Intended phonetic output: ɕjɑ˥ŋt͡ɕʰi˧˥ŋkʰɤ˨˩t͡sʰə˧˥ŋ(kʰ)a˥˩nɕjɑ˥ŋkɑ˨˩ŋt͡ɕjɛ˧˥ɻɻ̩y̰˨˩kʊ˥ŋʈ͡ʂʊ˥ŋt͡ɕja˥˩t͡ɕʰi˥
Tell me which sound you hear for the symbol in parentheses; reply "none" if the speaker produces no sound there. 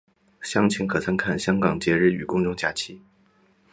kʰ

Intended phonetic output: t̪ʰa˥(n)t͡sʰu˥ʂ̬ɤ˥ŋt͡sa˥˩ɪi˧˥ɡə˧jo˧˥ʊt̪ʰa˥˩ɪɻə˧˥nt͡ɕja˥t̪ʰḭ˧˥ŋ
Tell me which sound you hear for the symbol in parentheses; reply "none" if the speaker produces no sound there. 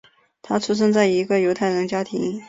none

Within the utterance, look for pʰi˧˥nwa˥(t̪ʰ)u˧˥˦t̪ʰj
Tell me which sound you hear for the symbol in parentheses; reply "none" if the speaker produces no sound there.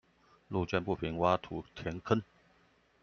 t̪ʰ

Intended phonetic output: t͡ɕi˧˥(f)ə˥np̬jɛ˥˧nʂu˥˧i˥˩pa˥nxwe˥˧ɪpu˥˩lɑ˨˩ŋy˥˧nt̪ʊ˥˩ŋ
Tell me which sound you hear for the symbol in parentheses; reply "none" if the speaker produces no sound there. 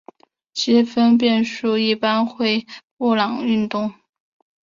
f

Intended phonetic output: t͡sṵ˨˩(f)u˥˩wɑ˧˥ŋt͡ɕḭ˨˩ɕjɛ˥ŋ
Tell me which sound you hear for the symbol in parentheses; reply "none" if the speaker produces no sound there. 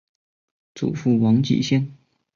f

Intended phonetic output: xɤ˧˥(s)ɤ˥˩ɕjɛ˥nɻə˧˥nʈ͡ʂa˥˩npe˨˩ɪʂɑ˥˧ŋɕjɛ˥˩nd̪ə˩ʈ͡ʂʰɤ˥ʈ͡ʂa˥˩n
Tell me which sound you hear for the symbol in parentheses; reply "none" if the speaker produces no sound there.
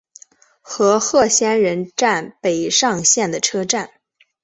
x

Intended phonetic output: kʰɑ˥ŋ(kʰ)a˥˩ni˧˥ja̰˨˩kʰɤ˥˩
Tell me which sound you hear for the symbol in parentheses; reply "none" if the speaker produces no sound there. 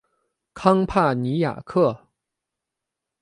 pʰ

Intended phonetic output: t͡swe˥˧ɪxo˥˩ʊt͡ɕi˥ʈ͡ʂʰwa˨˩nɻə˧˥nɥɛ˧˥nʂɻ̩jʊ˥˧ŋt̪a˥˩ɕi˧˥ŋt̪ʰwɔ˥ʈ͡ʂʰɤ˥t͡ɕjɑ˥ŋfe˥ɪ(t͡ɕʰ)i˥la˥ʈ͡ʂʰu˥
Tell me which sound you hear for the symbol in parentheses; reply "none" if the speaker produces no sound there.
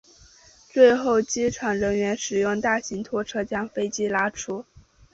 t͡ɕ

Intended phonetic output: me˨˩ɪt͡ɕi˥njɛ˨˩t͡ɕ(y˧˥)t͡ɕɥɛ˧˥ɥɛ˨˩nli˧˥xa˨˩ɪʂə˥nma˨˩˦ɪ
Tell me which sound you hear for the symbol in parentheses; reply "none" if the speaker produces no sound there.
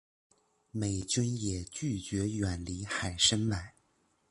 y˥˩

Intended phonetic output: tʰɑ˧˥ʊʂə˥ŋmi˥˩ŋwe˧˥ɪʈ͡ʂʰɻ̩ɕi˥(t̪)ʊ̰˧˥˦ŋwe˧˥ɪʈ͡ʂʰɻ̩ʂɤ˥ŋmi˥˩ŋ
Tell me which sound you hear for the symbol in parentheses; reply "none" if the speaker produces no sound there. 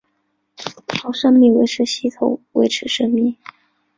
t̪ʰ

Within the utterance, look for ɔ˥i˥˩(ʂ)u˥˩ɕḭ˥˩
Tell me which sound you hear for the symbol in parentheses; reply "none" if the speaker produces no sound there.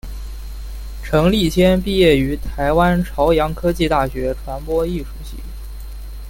ʂ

